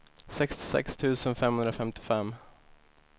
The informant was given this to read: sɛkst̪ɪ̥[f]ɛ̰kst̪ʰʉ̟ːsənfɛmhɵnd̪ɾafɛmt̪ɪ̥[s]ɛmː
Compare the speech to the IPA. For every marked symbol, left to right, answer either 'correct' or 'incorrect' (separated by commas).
incorrect, incorrect